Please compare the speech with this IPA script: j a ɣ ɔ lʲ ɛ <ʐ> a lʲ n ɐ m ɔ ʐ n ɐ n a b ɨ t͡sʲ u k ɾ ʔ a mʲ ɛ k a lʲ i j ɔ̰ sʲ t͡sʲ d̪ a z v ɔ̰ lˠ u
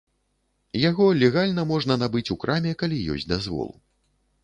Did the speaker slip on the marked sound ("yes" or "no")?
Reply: yes